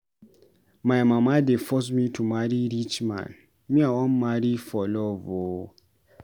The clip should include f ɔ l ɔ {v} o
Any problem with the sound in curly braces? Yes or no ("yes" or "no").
no